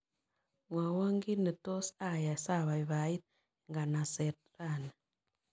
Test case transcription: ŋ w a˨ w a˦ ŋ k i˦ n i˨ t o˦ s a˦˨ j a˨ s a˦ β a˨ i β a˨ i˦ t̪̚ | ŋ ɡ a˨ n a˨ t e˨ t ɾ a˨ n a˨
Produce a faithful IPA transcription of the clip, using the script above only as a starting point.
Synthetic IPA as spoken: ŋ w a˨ w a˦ ŋ ɡ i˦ n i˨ t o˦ s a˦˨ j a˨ s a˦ β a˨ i β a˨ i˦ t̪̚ | ŋ ɡ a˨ n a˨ s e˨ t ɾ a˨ n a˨

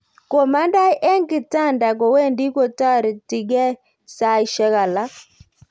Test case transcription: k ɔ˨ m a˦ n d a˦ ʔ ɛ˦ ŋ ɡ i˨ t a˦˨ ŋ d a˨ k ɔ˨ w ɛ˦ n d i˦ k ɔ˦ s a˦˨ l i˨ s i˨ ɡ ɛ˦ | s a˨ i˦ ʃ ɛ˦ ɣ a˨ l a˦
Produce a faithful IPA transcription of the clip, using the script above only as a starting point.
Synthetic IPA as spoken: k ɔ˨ m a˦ n d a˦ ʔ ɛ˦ ŋ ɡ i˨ t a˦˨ n d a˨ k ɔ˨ w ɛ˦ n d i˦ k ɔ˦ t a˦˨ ɾ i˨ t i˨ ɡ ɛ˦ | s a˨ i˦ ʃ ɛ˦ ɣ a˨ l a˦

